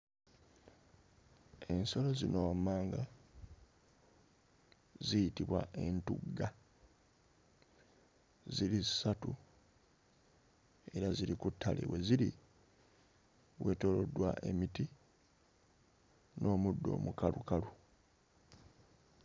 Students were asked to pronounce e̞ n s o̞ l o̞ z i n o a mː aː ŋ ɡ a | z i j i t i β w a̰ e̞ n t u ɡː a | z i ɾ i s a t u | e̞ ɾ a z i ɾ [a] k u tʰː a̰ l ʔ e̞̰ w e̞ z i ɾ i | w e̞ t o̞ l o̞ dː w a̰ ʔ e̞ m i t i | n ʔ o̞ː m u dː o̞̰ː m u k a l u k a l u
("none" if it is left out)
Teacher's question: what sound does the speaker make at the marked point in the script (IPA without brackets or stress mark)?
i